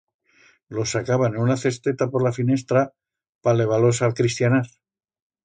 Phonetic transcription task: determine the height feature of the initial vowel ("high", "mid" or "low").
mid